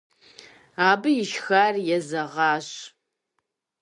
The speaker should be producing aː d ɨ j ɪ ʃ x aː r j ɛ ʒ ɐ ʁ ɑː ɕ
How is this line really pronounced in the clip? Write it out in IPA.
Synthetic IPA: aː b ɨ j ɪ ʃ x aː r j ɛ z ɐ ʁ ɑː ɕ